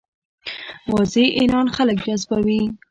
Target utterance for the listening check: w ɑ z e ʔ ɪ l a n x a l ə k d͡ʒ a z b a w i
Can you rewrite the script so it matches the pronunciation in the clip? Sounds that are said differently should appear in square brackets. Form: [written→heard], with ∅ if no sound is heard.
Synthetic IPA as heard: w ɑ z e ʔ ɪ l [a→ɑ] n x a l ə k d͡ʒ a z b a w i

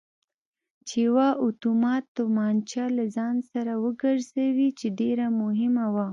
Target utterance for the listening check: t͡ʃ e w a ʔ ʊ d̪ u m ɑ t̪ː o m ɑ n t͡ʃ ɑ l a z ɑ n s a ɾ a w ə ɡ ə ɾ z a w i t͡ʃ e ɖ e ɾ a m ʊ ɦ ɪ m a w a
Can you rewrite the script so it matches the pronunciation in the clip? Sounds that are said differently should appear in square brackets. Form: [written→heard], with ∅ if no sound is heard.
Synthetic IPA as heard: t͡ʃ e w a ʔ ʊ [d̪→t̪] u m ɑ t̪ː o m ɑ n t͡ʃ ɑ l a z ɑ n s a ɾ a w ə ɡ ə ɾ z a w i t͡ʃ e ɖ e ɾ a m ʊ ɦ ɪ m a w a

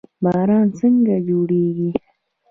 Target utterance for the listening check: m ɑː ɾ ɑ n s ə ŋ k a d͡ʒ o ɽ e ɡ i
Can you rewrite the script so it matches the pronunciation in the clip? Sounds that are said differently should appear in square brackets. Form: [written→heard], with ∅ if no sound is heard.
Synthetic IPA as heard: [m→b] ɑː ɾ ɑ n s ə ŋ [k→ɡ] a d͡ʒ o ɽ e ɡ i

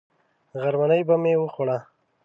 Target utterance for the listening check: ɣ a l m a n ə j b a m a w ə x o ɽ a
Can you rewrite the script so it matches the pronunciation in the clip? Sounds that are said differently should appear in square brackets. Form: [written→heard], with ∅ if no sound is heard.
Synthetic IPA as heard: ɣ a [l→ɾ] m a n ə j b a m [a→e] w ə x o ɽ a

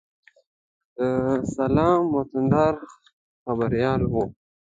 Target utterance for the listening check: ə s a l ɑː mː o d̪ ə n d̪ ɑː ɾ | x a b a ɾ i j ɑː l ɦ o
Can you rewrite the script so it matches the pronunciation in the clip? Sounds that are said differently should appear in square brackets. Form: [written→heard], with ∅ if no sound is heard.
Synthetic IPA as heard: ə s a l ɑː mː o [d̪→t̪] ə n d̪ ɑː ɾ | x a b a ɾ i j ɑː l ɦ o

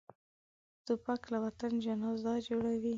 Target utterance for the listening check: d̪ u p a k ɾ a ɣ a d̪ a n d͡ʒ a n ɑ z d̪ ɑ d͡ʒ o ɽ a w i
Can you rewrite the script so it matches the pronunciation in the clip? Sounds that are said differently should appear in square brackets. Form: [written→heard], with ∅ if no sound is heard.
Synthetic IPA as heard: [d̪→t̪] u p a k [ɾ→l] a [ɣ→w] a [d̪→t̪] a n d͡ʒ a n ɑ z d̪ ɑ d͡ʒ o ɽ a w i

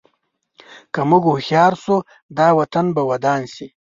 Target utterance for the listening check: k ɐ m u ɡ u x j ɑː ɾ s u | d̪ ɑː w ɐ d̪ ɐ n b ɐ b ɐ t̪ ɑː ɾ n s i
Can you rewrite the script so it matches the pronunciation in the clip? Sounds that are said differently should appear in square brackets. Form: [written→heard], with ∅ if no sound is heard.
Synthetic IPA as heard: k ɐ m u ɡ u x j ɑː ɾ s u | d̪ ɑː w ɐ [d̪→t̪] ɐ n b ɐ [b→w] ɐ [t̪→d̪] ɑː [ɾ→∅] n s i

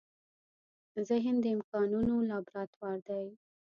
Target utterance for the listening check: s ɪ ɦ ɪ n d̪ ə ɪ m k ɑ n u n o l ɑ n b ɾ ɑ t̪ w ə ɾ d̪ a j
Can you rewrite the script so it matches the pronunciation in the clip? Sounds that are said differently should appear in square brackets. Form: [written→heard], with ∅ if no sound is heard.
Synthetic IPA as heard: [s→z] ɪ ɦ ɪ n d̪ ə ɪ m k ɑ n u n o l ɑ [n→∅] b ɾ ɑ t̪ w [ə→ɑ] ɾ d̪ a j

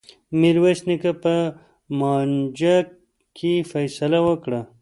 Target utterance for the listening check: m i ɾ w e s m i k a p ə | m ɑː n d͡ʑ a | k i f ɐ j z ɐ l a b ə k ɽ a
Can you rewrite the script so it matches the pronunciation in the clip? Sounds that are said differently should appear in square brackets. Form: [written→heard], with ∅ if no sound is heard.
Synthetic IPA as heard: m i ɾ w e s [m→n] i k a p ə | m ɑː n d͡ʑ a | k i f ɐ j [z→s] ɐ l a [b→w] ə k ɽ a

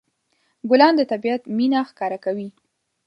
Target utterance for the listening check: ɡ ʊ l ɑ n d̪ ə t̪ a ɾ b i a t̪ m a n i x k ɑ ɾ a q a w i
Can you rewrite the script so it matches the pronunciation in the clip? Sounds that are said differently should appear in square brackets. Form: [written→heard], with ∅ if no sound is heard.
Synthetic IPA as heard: ɡ ʊ l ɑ n d̪ ə t̪ a [ɾ→∅] b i a t̪ m [a→i] n [i→a] x k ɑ ɾ a [q→k] a w i

